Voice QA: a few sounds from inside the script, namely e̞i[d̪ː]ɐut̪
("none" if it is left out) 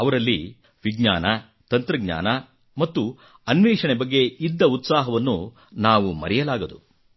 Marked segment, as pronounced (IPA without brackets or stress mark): d̪ː